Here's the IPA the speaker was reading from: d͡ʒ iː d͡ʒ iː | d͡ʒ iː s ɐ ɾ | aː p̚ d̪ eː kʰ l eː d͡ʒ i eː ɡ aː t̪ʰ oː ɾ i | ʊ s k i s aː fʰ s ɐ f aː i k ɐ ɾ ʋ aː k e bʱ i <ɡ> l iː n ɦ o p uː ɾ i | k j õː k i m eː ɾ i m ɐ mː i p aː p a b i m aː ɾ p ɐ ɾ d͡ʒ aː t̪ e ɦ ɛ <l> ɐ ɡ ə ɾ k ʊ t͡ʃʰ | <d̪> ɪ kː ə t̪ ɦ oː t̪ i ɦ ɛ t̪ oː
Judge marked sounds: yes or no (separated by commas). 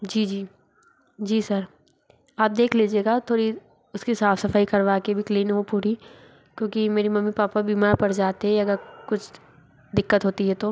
no, no, yes